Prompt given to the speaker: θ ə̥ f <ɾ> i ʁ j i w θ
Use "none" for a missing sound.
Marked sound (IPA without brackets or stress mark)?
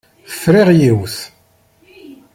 ɾ